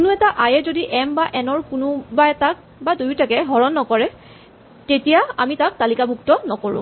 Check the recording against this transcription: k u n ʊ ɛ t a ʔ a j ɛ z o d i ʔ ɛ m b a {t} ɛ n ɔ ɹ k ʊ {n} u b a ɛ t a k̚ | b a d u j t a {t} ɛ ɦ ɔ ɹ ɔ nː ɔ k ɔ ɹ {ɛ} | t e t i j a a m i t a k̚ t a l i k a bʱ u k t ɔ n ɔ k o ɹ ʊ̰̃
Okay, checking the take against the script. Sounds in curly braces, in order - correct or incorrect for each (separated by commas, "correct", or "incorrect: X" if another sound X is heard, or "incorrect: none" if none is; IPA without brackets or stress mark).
incorrect: ʔ, correct, incorrect: k, correct